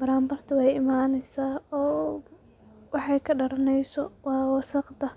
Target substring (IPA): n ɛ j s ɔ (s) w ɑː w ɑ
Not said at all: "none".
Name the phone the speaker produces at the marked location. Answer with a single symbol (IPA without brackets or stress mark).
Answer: none